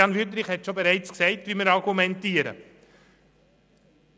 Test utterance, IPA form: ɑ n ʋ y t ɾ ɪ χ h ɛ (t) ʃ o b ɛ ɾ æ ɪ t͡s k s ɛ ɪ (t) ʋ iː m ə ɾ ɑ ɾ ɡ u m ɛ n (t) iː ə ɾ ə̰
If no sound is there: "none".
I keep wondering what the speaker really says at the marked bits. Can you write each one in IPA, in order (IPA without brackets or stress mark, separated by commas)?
t, t, t